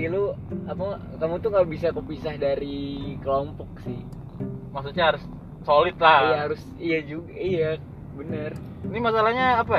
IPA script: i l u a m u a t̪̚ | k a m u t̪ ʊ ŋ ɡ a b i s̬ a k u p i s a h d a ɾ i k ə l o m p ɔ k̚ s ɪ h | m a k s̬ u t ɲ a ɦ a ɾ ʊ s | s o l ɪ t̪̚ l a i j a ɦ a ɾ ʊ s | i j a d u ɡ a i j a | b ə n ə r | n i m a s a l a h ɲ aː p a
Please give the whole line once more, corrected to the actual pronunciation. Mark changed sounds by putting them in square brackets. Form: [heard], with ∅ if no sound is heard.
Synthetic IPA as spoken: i l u a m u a [∅] | k a m u t̪ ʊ ŋ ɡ a b i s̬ a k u p i s a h d a ɾ i k ə l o m p ɔ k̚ s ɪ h | m a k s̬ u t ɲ a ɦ a ɾ ʊ s | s o l ɪ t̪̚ l a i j a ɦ a ɾ ʊ s | i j a [d͡ʒ] u ɡ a i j a | b ə n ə r | n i m a s a l a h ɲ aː p a